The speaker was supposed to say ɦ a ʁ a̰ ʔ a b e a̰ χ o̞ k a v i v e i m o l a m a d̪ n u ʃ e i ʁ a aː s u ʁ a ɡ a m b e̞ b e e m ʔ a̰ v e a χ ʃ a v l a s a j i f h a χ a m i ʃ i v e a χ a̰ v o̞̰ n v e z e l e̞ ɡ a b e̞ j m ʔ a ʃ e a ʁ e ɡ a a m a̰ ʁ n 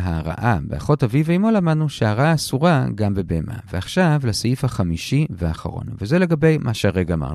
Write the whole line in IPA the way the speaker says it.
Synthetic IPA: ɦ a ʁ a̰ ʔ a b e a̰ χ o̞ t a v i v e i m o l a m a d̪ n u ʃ e a ʁ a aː s u ʁ a ɡ a m b e̞ b e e m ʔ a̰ v e a χ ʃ a v l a s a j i f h a χ a m i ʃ i v e a χ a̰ ʁ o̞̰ n v e z e l e̞ ɡ a b e̞ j m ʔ a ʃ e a ʁ e ɡ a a m a̰ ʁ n